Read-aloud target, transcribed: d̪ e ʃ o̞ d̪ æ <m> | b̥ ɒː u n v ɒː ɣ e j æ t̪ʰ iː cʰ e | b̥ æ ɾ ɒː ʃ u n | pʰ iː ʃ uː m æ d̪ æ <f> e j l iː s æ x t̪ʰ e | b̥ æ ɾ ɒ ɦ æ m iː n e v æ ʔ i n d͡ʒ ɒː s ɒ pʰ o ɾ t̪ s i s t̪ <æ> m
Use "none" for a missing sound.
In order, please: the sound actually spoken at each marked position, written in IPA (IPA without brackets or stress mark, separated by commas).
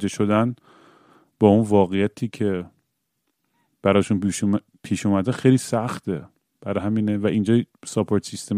n, x, e